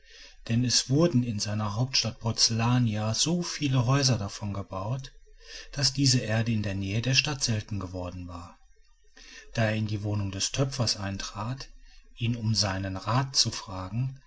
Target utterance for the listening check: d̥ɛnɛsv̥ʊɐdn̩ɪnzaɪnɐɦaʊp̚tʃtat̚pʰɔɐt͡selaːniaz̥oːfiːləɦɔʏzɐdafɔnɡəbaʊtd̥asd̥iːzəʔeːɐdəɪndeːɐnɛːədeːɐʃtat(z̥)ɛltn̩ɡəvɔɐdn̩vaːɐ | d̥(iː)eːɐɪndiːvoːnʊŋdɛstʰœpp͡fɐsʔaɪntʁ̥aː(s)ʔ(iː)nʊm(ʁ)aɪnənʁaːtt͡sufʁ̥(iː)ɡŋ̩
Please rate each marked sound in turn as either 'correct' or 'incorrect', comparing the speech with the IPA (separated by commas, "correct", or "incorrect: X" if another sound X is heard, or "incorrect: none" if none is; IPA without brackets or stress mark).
correct, incorrect: aː, incorrect: t, correct, incorrect: z, incorrect: aː